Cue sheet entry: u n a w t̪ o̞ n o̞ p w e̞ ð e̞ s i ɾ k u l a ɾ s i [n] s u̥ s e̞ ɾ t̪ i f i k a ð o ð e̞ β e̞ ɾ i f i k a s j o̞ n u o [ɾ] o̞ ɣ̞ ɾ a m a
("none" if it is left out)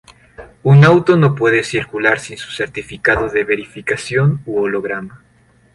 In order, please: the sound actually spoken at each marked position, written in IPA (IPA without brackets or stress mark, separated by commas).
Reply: n, l